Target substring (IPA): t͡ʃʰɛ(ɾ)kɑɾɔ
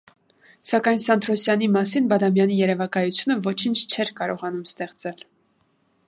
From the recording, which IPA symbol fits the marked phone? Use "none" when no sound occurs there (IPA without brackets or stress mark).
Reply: ɾ